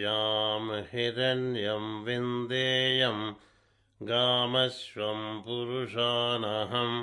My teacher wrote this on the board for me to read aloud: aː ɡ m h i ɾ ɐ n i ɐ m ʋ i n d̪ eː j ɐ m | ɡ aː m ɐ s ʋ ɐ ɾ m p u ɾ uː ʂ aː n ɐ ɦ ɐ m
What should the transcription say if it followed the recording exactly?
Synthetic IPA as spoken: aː m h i ɾ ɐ n j ɐ m ʋ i n d̪ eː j ɐ m | ɡ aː m ɐ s ʋ ɐ m p u ɾ u ʂ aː n ɐ ɦ ɐ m